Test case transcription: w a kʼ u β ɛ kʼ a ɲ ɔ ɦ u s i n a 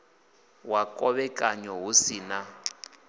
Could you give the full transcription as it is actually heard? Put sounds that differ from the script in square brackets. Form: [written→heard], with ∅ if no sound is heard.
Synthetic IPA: w a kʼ [u→ɔ] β ɛ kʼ a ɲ ɔ ɦ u s i n a